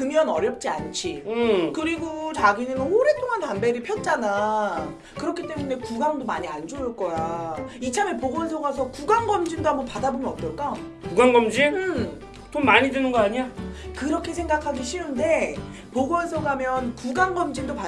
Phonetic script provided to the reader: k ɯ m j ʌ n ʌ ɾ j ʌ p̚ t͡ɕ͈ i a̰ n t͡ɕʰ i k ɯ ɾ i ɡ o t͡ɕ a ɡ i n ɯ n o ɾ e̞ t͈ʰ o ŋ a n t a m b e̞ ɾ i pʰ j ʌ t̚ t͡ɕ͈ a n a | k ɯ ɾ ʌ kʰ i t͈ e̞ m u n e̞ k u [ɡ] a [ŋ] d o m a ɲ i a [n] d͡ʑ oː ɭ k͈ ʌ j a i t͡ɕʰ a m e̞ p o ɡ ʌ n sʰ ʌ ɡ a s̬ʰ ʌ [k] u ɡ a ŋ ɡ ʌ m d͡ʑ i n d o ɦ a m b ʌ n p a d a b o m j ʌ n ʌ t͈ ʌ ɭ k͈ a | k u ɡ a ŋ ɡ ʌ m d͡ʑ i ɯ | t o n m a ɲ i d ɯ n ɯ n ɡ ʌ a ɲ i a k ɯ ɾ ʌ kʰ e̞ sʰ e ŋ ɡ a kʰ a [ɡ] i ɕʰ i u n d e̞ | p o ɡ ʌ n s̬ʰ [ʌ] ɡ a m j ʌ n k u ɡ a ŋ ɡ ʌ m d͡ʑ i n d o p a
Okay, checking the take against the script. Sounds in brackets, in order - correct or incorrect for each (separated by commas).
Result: correct, correct, correct, correct, correct, correct